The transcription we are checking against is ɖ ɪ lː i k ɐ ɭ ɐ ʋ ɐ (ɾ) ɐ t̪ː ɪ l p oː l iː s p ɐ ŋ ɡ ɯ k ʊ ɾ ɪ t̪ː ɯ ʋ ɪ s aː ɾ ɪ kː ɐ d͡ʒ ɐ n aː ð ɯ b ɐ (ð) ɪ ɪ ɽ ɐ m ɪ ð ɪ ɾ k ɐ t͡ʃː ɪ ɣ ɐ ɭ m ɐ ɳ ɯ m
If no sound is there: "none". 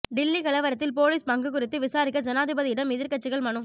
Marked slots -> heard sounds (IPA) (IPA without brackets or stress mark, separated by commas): ɾ, ð